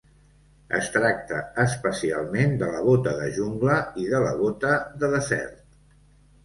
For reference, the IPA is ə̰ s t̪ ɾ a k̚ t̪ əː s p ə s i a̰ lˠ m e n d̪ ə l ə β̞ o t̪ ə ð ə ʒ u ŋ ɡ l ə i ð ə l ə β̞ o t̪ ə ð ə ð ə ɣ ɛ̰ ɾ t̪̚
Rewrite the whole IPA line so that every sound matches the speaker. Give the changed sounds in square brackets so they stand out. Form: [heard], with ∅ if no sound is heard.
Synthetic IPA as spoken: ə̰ s t̪ ɾ a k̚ t̪ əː s p ə s i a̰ lˠ m e n d̪ ə l ə β̞ o t̪ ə ð ə ʒ u ŋ ɡ l ə i ð ə l ə β̞ o t̪ ə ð ə ð ə [z] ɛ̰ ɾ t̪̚